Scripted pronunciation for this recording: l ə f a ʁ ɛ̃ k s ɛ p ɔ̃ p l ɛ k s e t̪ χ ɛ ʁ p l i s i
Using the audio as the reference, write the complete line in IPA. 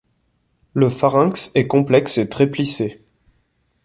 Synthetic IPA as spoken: l ə f a ʁ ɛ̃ k s ɛ k ɔ̃ p l ɛ k s e t̪ χ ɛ p l i s e